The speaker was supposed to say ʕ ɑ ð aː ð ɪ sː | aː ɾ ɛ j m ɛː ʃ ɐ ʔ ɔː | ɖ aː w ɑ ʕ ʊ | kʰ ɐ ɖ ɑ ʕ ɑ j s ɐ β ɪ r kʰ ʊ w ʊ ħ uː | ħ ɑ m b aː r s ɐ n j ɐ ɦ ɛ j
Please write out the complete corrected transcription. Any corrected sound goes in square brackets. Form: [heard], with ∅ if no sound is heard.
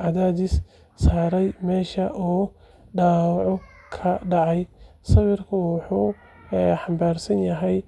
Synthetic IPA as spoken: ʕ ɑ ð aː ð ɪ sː | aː ɾ ɛ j m ɛː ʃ ɐ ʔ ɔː | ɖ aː w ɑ ʕ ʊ | kʰ ɐ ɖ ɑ ʕ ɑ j s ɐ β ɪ r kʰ ʊ w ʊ ħ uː | ħ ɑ m b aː r s ɐ n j ɐ ɦ ɛ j